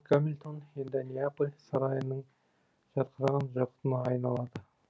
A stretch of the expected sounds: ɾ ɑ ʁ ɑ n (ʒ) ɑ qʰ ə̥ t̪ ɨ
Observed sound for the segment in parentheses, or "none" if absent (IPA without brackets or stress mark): ʒ